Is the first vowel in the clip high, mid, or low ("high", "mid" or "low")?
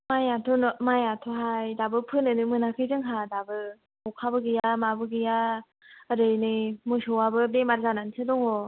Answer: low